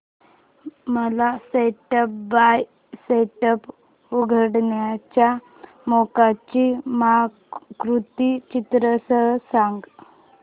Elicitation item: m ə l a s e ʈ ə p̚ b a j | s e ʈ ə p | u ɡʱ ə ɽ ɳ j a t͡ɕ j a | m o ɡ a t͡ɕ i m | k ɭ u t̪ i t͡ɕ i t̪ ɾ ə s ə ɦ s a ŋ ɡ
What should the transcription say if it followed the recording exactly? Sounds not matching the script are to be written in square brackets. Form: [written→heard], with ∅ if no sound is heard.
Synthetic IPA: m ə l a s e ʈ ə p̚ b a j | s e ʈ ə p | u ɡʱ ə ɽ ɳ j a t͡ɕ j a | m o [ɡ→k] a t͡ɕ i m | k [ɭ→ɾ] u t̪ i t͡ɕ i t̪ ɾ ə s ə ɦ s a ŋ ɡ

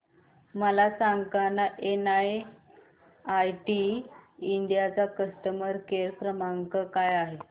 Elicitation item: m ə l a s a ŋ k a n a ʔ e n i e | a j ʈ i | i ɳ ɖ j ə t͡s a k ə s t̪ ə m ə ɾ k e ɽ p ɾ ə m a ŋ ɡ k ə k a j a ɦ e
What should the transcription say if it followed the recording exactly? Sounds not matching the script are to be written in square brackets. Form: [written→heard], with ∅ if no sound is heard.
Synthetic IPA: m ə l a s a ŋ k a n a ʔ e n [i→a] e | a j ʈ i | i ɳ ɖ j [ə→a] t͡s a k ə s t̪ ə m ə ɾ k e [ɽ→ɾ] p ɾ ə m a ŋ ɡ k ə k a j a ɦ e

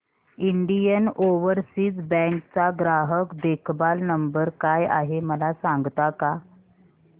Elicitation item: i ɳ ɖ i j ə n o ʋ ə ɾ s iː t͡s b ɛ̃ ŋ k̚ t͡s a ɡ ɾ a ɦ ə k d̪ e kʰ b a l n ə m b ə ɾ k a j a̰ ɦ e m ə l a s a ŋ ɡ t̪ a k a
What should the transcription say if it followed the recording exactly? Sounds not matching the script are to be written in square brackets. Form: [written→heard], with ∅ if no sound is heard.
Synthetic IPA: i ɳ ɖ i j ə n o ʋ ə ɾ s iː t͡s b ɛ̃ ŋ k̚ t͡s a ɡ ɾ a ɦ ə k d̪ e kʰ b a l n ə m b ə ɾ k a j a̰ ɦ e m ə l a s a ŋ ɡ t̪ a k a

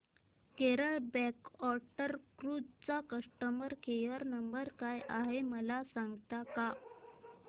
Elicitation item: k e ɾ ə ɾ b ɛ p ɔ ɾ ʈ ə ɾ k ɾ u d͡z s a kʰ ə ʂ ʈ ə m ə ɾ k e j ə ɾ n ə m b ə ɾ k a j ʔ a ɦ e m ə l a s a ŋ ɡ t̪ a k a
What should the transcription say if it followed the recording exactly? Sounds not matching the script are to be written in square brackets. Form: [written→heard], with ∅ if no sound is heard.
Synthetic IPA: k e ɾ ə [ɾ→ɭ] b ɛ [p→k] ɔ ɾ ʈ ə ɾ k ɾ u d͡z [s→t͡s] a [kʰ→k] ə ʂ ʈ ə m ə ɾ k e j ə ɾ n ə m b ə ɾ k a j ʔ a ɦ e m ə l a s a ŋ ɡ t̪ a k a

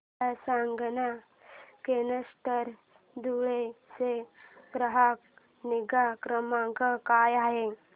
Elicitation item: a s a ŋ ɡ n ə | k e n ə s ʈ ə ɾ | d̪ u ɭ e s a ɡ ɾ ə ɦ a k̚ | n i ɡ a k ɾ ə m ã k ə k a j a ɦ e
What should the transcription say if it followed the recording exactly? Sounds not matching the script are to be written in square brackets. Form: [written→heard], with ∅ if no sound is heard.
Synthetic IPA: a s a ŋ ɡ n [ə→a] | k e n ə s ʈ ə ɾ | d̪ u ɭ e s [a→e] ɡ ɾ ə ɦ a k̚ | n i ɡ a k ɾ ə m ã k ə k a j a ɦ e

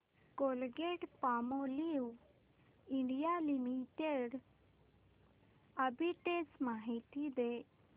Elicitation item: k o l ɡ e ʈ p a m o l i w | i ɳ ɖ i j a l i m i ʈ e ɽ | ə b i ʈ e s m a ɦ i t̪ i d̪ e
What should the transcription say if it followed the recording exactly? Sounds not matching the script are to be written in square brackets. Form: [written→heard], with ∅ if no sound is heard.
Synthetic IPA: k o l ɡ e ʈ p a m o l i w | i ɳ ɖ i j a l i m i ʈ e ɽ | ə b i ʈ e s m a ɦ i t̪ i d̪ e

